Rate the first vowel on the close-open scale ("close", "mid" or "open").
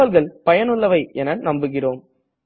open